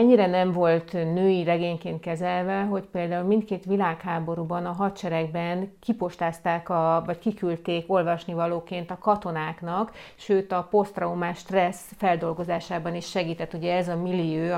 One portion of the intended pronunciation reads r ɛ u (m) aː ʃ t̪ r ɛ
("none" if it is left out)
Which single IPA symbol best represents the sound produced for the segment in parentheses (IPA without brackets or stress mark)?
m